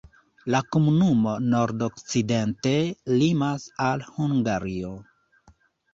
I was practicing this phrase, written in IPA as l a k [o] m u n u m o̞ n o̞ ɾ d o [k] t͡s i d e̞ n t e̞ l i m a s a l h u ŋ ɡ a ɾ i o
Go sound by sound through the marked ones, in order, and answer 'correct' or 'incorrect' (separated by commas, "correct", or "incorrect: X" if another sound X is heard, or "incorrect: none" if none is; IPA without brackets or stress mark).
correct, correct